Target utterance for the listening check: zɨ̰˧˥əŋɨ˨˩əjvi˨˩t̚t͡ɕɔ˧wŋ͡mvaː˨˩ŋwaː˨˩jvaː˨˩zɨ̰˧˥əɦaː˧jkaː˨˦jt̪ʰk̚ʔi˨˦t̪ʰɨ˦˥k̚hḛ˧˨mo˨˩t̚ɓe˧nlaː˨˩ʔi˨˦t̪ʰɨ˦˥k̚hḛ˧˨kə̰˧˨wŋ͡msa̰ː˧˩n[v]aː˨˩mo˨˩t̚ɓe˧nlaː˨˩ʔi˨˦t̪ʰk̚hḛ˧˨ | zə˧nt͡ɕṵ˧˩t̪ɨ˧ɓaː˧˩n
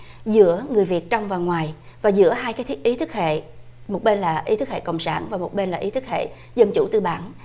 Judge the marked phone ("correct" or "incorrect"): correct